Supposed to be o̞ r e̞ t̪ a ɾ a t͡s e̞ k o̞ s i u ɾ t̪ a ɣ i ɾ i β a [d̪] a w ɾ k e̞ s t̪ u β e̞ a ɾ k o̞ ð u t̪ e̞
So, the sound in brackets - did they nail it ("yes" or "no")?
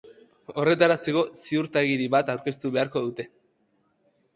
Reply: no